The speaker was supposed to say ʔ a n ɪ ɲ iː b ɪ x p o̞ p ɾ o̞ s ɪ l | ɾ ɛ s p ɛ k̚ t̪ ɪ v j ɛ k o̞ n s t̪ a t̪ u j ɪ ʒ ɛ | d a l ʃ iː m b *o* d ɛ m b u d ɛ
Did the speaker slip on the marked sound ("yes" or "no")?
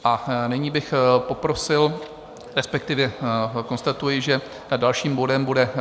no